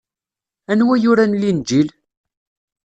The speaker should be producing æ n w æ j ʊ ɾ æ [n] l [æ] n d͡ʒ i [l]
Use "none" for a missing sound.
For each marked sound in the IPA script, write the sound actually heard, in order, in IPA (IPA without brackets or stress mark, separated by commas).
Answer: n, i, l